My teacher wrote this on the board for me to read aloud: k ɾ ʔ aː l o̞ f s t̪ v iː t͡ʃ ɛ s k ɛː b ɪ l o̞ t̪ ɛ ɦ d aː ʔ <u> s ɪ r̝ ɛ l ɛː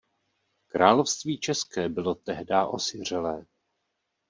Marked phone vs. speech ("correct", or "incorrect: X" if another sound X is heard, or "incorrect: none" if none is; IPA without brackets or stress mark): incorrect: o